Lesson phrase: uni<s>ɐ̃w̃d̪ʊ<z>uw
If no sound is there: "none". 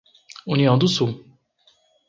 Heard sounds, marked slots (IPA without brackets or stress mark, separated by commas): none, s